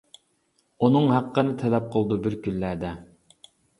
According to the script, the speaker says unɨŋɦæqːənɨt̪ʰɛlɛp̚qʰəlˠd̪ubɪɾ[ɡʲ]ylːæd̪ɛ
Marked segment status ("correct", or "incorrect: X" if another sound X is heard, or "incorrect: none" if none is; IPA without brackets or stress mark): incorrect: kʲ